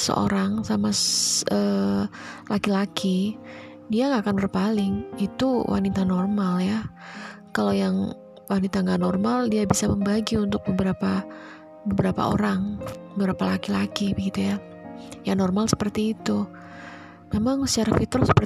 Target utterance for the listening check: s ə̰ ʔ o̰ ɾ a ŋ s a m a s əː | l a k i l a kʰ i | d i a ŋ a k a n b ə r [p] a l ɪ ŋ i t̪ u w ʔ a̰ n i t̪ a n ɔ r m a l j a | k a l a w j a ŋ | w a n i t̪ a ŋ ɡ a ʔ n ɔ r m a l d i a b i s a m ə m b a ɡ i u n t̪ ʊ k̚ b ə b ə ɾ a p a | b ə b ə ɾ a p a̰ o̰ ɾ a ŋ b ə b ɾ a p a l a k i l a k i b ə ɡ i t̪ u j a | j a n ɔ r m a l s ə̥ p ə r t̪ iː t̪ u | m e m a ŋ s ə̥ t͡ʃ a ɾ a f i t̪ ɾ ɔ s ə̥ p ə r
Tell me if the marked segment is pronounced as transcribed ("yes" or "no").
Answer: yes